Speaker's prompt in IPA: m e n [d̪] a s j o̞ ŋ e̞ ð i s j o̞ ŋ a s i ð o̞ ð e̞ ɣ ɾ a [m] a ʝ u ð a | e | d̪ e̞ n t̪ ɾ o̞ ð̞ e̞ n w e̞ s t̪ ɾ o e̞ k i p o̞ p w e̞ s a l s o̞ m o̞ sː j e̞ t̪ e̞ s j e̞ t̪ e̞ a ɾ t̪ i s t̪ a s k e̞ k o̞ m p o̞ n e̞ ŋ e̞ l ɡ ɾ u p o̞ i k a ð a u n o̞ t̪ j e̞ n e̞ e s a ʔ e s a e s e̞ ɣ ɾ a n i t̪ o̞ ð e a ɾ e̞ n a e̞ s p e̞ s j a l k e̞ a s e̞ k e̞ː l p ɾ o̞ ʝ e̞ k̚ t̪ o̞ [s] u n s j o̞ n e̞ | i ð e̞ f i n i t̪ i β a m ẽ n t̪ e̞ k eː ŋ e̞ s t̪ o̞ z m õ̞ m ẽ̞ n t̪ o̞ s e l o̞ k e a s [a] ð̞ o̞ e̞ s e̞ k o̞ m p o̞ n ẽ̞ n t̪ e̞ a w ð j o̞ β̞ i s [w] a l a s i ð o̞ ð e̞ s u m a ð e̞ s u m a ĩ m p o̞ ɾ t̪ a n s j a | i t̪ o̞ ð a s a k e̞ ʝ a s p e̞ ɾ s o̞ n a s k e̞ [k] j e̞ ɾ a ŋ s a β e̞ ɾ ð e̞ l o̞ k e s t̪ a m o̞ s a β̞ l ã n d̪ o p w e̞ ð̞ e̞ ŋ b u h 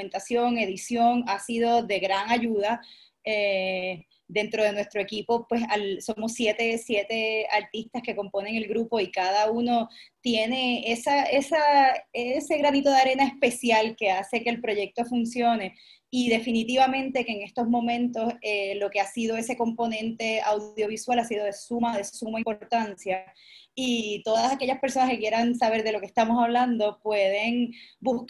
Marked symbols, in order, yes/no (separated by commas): no, no, no, no, yes, yes